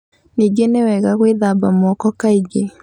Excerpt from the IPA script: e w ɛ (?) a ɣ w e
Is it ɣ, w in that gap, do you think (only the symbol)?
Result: ɣ